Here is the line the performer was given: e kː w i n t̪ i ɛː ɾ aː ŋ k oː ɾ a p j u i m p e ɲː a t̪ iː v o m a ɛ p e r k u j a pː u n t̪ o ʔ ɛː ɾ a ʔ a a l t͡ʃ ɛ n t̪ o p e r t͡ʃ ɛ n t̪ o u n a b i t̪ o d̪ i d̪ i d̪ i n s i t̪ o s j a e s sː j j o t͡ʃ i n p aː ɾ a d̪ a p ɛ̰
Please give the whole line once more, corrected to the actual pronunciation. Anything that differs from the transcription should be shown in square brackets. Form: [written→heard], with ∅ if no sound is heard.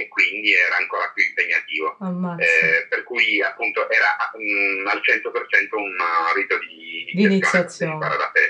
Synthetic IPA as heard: e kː w i n [t̪→d̪] i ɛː ɾ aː ŋ k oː ɾ a p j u i m p e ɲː a t̪ iː v o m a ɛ p e r k u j a pː u n t̪ o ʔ ɛː ɾ a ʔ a a l t͡ʃ ɛ n t̪ o p e r t͡ʃ ɛ n t̪ o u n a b i t̪ o d̪ i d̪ i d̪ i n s i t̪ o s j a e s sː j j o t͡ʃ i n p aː ɾ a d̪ a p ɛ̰